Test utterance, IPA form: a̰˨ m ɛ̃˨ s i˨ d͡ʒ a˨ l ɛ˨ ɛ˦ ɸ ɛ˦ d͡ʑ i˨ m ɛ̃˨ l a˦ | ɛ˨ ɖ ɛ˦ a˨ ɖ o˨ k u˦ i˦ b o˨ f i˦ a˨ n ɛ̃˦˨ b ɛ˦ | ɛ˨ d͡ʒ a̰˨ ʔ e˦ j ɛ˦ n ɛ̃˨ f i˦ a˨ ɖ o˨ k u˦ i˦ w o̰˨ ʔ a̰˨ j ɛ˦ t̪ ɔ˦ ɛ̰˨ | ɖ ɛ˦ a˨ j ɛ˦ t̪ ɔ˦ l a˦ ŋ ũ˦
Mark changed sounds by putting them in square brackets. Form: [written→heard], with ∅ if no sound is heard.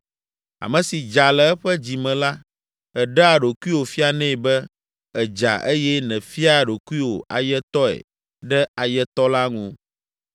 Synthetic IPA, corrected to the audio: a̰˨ m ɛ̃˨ s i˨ d͡ʒ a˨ l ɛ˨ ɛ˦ ɸ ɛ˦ d͡ʑ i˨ m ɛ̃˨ l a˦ | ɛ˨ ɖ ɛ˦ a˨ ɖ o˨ k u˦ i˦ [b→w] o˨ f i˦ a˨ n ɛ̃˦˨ b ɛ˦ | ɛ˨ d͡ʒ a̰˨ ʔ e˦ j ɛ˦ n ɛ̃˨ f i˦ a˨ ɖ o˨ k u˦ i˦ w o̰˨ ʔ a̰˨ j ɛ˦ t̪ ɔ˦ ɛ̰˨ | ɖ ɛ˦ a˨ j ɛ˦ t̪ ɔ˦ l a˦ ŋ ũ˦